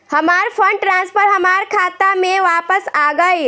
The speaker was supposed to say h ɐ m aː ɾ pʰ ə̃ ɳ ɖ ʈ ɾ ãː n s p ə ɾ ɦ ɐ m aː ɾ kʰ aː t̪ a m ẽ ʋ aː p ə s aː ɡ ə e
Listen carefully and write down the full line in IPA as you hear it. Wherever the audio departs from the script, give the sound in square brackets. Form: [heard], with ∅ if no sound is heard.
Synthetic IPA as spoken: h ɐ m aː ɾ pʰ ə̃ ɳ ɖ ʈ ɾ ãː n s p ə ɾ ɦ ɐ m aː ɾ kʰ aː t̪ a m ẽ ʋ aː p ə s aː ɡ ə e

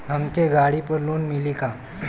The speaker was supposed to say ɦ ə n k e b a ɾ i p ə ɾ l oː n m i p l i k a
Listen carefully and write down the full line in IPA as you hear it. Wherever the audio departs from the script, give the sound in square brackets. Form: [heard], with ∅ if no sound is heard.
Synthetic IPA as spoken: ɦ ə [m] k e [ɡ] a [ɽ] i p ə ɾ l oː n m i [∅] l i k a

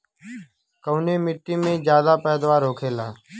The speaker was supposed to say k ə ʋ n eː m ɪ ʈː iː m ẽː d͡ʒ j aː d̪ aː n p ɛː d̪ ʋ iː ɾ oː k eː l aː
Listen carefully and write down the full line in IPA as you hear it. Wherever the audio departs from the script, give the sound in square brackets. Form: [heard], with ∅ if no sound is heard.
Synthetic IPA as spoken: k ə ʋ n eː m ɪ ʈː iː m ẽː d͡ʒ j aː d̪ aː [∅] p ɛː d̪ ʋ [aː] ɾ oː [kʰ] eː l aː

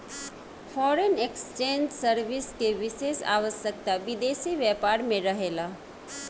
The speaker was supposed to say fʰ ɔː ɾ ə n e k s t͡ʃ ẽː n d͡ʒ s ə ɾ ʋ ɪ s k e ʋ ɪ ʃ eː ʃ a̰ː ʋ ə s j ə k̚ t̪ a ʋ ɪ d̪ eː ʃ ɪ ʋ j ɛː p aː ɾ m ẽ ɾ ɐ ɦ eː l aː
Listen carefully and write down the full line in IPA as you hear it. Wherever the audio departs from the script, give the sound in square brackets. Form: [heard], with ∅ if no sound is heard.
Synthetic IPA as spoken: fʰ ɔː ɾ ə n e k s t͡ʃ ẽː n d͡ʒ s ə ɾ ʋ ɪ s k e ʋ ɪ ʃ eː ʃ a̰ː ʋ ə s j ə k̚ t̪ a ʋ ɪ d̪ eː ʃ [i] ʋ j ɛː p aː ɾ m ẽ ɾ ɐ ɦ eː l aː

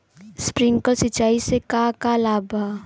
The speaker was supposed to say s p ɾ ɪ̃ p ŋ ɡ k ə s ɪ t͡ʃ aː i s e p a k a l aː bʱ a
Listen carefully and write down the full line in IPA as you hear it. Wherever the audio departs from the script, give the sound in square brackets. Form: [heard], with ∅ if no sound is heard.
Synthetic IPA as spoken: s p ɾ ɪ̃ [∅] ŋ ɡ k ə s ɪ t͡ʃ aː i s e [k] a k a l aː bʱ a

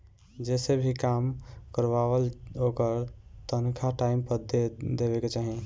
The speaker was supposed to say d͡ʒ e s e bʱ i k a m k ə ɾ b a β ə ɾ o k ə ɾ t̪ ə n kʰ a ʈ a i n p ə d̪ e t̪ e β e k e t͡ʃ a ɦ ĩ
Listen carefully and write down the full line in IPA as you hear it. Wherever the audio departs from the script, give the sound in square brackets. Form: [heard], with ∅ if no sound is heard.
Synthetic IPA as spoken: d͡ʒ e s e bʱ i k a m k ə ɾ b a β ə [l] o k ə ɾ t̪ ə n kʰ a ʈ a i [m] p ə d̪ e [d̪] e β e k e t͡ʃ a ɦ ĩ

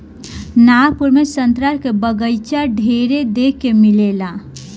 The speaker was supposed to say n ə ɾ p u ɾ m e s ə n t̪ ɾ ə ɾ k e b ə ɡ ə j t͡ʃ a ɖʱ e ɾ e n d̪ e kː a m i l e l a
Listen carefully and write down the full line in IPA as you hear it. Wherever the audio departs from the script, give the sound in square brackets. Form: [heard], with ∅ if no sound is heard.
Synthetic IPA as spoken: n [a] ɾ p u ɾ m e s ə n t̪ ɾ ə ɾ k e b ə ɡ ə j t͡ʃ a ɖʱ e ɾ e [∅] d̪ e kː [e] m i l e l a

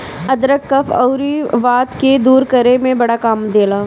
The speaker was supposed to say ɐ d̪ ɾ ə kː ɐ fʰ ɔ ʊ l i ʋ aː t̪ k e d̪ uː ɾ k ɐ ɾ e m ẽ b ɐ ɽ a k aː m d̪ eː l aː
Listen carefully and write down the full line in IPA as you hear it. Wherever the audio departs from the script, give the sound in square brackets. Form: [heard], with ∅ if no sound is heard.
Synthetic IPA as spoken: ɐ d̪ ɾ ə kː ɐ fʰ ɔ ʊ [ɾ] i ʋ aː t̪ k e d̪ uː ɾ k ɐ ɾ e m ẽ b ɐ ɽ a k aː m d̪ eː l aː

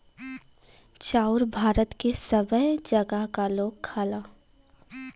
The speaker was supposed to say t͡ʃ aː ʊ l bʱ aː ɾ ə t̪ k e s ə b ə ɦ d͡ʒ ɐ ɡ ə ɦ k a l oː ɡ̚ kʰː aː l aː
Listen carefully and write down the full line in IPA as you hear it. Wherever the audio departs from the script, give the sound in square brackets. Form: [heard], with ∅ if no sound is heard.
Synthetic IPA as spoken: t͡ʃ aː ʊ [ɾ] bʱ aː ɾ ə t̪ k e s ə b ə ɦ d͡ʒ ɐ ɡ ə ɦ k a l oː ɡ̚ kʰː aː l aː

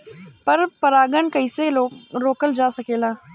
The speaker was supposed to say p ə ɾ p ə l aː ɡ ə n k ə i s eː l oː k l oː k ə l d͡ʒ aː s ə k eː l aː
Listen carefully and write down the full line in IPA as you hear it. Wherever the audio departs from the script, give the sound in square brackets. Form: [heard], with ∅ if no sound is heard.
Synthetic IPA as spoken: p ə ɾ p ə [ɾ] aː ɡ ə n k ə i s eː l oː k [ɾ] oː k ə l d͡ʒ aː s ə k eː l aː

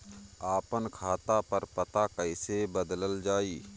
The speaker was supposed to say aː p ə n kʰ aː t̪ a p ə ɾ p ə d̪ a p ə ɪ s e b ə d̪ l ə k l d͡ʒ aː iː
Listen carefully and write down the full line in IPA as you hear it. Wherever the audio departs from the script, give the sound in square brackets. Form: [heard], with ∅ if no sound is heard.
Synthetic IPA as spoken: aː p ə n kʰ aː t̪ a p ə ɾ p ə [t̪] a [k] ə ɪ s e b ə d̪ l ə [∅] l d͡ʒ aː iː

